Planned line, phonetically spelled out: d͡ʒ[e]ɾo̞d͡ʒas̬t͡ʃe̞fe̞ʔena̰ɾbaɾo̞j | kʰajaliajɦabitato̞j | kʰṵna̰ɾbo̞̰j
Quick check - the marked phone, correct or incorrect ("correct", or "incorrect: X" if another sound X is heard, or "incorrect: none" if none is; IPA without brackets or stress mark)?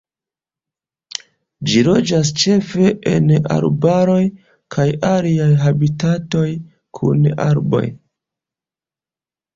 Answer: incorrect: i